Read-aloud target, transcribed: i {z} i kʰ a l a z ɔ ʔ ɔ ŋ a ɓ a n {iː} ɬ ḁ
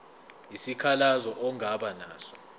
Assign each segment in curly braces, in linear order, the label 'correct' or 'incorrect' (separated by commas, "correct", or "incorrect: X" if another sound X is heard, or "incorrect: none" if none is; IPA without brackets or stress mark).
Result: incorrect: s, incorrect: aː